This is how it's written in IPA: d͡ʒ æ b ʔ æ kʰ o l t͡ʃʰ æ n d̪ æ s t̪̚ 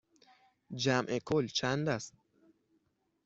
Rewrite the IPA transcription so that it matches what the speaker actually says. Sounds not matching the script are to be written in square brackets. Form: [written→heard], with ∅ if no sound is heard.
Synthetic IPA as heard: d͡ʒ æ [b→m] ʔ [æ→e] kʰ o l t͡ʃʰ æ n d̪ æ s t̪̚